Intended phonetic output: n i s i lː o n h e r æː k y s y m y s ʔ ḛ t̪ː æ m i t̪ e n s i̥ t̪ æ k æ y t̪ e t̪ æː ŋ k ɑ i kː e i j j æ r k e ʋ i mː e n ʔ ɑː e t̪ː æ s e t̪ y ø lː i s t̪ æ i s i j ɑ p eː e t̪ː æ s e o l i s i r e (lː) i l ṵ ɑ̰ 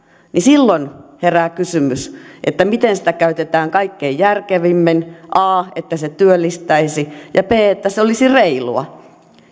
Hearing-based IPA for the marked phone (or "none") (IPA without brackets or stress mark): none